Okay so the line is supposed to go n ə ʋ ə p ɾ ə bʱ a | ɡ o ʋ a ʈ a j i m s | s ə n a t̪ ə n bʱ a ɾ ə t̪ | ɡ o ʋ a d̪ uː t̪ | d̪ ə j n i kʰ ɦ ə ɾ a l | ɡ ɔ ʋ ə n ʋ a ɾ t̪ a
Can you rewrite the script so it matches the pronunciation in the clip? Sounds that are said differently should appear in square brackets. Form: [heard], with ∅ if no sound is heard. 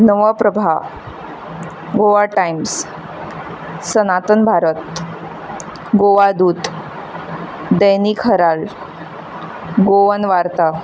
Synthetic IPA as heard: n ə ʋ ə p ɾ ə bʱ a | ɡ o ʋ a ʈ a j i m s | s ə n a t̪ ə n bʱ a ɾ ə t̪ | ɡ o ʋ a d̪ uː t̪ | d̪ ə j n i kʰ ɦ ə ɾ a l | ɡ [o] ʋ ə n ʋ a ɾ t̪ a